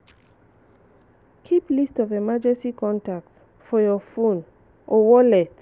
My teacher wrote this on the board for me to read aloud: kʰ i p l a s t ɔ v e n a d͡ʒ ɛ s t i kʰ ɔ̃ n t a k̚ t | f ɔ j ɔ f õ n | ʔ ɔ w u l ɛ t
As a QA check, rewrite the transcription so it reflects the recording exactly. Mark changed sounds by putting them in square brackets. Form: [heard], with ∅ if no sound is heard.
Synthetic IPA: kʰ i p l [i] s t ɔ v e [m] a d͡ʒ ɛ s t i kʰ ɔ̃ n t a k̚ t | f ɔ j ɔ f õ n | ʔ ɔ w [ɔ] l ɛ t